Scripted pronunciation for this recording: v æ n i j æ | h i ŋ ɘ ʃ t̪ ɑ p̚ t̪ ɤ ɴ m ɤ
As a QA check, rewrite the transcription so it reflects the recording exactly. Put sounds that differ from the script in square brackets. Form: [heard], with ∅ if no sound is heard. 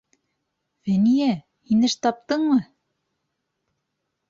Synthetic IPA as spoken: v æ n i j æ | h i [n] ɘ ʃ t̪ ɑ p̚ t̪ ɤ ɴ m ɤ